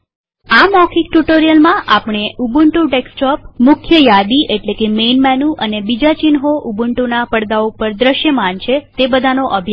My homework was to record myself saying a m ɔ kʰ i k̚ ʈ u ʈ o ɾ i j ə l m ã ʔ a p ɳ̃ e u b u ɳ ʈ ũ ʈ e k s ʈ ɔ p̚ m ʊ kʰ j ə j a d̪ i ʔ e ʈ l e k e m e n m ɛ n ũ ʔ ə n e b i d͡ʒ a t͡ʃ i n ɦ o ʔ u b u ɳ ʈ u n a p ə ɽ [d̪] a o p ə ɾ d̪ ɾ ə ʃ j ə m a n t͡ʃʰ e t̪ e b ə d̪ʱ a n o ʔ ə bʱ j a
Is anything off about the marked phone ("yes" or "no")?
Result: no